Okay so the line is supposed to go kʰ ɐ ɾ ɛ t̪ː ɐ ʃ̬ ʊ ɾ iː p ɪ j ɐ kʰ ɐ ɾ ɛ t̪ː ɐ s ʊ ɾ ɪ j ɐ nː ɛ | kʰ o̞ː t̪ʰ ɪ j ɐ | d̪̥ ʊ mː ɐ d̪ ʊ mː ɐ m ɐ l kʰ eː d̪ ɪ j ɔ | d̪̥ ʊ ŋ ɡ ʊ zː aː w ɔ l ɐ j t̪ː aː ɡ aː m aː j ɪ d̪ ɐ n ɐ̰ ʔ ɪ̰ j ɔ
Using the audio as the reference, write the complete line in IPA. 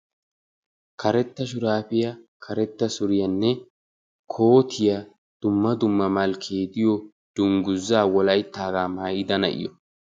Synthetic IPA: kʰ ɐ ɾ ɛ t̪ː ɐ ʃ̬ ʊ ɾ aː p ɪ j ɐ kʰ ɐ ɾ ɛ t̪ː ɐ s ʊ ɾ ɪ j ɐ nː ɛ | kʰ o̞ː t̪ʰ ɪ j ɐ | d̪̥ ʊ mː ɐ d̪ ʊ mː ɐ m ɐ l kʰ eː d̪ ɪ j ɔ | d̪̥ ʊ ŋ ɡ ʊ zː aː w ɔ l ɐ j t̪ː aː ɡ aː m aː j ɪ d̪ ɐ n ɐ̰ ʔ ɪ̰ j ɔ

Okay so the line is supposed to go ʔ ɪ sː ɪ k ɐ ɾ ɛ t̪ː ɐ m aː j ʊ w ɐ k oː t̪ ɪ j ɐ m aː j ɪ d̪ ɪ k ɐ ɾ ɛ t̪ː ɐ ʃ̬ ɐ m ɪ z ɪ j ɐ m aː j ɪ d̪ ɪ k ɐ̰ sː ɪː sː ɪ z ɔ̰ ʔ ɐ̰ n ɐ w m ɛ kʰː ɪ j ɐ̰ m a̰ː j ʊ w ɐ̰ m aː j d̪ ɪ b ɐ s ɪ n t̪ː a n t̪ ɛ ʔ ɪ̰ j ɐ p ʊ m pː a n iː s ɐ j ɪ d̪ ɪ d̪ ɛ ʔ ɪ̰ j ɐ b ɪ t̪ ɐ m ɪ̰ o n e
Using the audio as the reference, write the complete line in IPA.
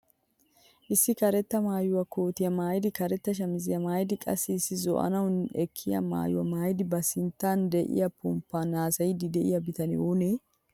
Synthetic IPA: ʔ ɪ sː ɪ k ɐ ɾ ɛ t̪ː ɐ m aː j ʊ w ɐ k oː t̪ ɪ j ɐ m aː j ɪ d̪ ɪ k ɐ ɾ ɛ t̪ː ɐ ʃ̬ ɐ m ɪ z ɪ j ɐ m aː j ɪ d̪ ɪ kʼ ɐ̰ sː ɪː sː ɪ z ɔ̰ ʔ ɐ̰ n ɐ w n ɛ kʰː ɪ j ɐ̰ m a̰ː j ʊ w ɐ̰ m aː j d̪ ɪ b ɐ s ɪ n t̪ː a n d̪ ɛ ʔ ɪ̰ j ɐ p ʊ m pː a n aː s ɐ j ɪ d̪ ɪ d̪ ɛ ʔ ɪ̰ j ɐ b ɪ t̪ ɐ n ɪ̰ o n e

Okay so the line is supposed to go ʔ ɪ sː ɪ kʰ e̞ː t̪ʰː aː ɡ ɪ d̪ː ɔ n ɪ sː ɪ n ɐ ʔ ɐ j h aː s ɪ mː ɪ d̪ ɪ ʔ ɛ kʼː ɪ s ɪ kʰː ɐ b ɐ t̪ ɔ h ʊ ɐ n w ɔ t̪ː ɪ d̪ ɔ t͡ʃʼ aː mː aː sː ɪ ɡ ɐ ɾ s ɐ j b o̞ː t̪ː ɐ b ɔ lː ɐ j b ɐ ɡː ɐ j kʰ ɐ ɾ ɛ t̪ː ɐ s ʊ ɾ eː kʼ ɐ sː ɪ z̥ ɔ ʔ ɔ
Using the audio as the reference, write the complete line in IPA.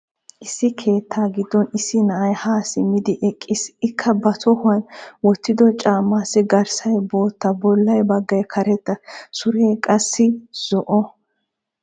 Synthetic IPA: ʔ ɪ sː ɪ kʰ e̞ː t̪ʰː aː ɡ ɪ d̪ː ɔ n ɪ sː ɪ n ɐ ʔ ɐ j h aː s ɪ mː ɪ d̪ ɪ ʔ ɛ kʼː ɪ s ɪ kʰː ɐ b ɐ t̪ ɔ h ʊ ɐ n w ɔ t̪ː ɪ d̪ ɔ t͡ʃʼ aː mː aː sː ɪ ɡ ɐ ɾ s ɐ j b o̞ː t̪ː ɐ b ɔ lː ɐ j b ɐ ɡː ɐ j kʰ ɐ ɾ ɛ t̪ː ɐ s ʊ ɾ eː kʼ ɐ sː ɪ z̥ ɔ ʔ ɔ

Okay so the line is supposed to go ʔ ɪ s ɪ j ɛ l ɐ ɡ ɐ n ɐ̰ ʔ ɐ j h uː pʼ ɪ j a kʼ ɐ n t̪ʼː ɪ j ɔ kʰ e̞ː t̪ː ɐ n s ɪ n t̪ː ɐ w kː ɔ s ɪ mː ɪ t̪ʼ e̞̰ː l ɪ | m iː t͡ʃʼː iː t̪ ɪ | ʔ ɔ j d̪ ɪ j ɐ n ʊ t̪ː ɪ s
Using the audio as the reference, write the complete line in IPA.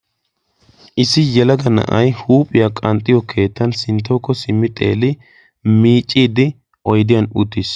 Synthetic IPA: ʔ ɪ s ɪ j ɛ l ɐ ɡ ɐ n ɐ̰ ʔ ɐ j h uː pʼ ɪ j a kʼ ɐ n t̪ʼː ɪ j ɔ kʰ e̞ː t̪ː ɐ n s ɪ n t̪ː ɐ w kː ɔ s ɪ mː ɪ t̪ʼ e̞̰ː l ɪ | m iː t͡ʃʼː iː d̪ ɪ | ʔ ɔ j d̪ ɪ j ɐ n ʊ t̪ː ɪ s

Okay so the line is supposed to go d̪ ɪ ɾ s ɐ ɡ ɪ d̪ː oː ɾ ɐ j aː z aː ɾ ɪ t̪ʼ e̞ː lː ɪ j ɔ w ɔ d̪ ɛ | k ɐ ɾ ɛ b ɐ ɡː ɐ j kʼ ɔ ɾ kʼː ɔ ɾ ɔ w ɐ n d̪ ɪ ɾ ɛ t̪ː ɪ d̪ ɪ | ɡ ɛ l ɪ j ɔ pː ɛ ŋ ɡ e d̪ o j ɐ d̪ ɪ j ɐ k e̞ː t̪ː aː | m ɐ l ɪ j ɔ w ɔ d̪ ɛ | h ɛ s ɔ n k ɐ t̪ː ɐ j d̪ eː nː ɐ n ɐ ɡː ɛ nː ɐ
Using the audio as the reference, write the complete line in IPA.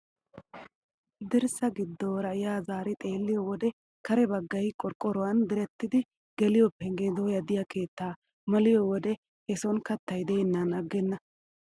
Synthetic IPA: d̪ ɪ ɾ s ɐ ɡ ɪ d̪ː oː ɾ ɐ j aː z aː ɾ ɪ t̪ʼ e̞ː lː ɪ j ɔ w ɔ d̪ ɛ | k ɐ ɾ ɛ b ɐ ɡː ɐ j kʼ ɔ ɾ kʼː ɔ ɾ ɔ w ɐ n d̪ ɪ ɾ ɛ t̪ː ɪ d̪ ɪ | ɡ ɛ l ɪ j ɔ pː ɛ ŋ ɡ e d̪ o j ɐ d̪ ɪ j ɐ k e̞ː t̪ː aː | m ɐ l ɪ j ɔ w ɔ d̪ ɛ | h ɛ s ɔ n k ɐ t̪ː ɐ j d̪ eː nː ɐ n ɐ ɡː ɛ nː ɐ

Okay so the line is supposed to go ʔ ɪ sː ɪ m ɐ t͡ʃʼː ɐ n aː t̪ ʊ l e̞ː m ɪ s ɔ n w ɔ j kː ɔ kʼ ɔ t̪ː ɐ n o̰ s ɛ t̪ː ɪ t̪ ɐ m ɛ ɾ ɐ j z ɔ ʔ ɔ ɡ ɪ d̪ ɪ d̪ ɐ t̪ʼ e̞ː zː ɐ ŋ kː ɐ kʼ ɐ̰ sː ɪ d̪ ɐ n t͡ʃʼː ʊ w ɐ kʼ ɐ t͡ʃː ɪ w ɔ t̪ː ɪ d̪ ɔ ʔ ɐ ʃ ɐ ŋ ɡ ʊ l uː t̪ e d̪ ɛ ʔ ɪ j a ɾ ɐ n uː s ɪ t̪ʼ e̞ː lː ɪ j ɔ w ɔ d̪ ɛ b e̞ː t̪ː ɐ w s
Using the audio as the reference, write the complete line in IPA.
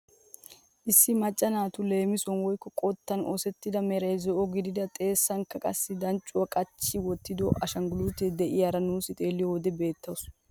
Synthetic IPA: ʔ ɪ sː ɪ m ɐ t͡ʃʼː ɐ n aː t̪ ʊ l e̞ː m ɪ s ɔ n w ɔ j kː ɔ kʼ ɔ t̪ː ɐ n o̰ s ɛ t̪ː ɪ d̪ ɐ m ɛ ɾ ɐ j z ɔ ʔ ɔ ɡ ɪ d̪ ɪ d̪ ɐ t̪ʼ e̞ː sː ɐ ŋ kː ɐ kʼ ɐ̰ sː ɪ d̪ ɐ n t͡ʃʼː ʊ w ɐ kʼ ɐ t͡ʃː ɪ w ɔ t̪ː ɪ d̪ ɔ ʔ ɐ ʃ ɐ ŋ ɡ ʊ l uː t̪ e d̪ ɛ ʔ ɪ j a ɾ ɐ n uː s ɪ t̪ʼ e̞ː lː ɪ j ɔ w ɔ d̪ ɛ b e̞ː t̪ː ɐ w s

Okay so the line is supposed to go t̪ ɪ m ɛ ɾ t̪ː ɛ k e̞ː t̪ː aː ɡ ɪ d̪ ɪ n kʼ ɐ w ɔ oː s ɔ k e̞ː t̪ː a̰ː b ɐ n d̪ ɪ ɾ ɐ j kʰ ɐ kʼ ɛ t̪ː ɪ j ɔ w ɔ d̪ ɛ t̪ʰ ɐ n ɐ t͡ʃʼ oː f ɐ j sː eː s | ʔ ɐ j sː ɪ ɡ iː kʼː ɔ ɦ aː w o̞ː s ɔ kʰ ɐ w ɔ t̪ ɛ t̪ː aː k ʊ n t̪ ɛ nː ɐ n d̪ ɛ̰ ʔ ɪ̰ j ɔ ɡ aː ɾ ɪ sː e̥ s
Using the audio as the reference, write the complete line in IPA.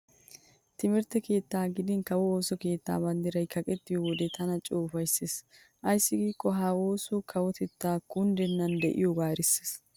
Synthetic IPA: t̪ ɪ m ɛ ɾ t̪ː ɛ k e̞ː t̪ː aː ɡ ɪ d̪ ɪ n k ɐ w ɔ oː s ɔ k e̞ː t̪ː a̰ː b ɐ n d̪ ɪ ɾ ɐ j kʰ ɐ kʼ ɛ t̪ː ɪ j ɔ w ɔ d̪ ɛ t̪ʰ ɐ n ɐ t͡ʃʼ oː f ɐ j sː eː s | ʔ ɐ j sː ɪ ɡ iː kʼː ɔ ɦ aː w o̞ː s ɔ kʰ ɐ w ɔ t̪ ɛ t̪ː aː k ʊ n d̪ ɛ nː ɐ n d̪ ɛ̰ ʔ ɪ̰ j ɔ ɡ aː ɾ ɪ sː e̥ s

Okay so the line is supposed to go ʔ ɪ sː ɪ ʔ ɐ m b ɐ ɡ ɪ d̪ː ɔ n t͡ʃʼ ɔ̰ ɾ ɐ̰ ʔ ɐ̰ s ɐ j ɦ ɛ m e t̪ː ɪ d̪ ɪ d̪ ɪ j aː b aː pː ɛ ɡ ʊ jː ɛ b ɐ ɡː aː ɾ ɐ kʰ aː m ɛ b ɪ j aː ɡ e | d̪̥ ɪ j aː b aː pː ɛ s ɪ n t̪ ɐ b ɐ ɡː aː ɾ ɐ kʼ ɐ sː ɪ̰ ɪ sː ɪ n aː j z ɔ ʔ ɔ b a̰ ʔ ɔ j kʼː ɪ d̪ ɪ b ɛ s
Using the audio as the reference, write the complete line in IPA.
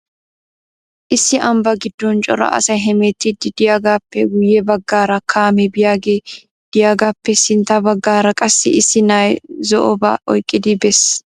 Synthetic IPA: ʔ ɪ sː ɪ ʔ ɐ m b ɐ ɡ ɪ d̪ː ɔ n t͡ʃʼ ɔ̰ ɾ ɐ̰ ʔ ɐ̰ s ɐ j ɦ ɛ m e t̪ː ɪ d̪ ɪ d̪ ɪ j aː ɡ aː pː ɛ ɡ ʊ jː ɛ b ɐ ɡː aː ɾ ɐ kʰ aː m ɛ b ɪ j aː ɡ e | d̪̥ ɪ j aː ɡ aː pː ɛ s ɪ n t̪ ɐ b ɐ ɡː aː ɾ ɐ kʼ ɐ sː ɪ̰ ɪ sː ɪ n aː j z ɔ ʔ ɔ b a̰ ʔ ɔ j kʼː ɪ d̪ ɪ b ɛ s

